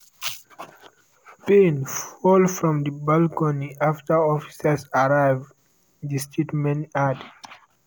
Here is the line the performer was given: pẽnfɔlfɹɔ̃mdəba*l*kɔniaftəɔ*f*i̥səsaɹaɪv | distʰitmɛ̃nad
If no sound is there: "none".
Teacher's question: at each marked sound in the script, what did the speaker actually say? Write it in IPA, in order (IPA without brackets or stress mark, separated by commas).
l, f